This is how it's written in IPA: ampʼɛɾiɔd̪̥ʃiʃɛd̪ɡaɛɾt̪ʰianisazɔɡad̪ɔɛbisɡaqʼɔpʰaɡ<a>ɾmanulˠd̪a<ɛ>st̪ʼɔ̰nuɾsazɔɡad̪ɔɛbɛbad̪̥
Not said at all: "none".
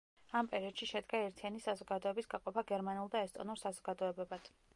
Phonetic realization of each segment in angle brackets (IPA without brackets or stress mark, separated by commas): ɛ, ɛ